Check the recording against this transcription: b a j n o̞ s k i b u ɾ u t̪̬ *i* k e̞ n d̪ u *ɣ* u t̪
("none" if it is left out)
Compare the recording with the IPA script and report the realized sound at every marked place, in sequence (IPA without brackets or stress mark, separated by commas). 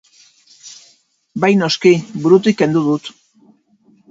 i, ð